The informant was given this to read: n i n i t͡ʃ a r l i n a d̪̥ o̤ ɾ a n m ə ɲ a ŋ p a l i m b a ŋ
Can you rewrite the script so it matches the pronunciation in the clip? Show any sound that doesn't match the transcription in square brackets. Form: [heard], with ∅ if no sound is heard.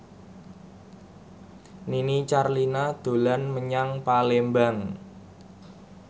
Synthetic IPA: n i n i t͡ʃ a r l i n a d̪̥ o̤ [l] a n m ə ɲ a ŋ p a l [e] m b a ŋ